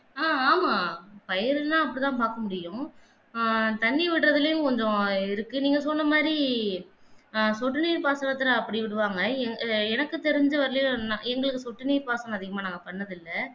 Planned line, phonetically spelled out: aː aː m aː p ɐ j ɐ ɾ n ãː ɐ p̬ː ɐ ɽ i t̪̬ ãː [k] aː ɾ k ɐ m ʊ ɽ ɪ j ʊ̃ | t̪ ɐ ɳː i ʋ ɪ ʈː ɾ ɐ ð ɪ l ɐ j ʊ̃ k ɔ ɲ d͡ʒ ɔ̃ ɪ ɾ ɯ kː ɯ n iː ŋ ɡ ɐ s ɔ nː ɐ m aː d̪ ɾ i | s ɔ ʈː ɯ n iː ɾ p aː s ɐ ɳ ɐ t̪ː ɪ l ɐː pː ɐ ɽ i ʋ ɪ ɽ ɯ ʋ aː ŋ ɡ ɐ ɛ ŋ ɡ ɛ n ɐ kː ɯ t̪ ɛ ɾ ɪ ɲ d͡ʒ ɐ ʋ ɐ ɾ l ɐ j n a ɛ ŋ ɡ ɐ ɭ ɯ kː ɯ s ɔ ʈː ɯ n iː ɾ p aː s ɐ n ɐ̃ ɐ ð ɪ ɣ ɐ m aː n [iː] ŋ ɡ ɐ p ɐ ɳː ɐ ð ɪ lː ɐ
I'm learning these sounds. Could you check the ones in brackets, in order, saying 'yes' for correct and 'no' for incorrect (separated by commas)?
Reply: no, no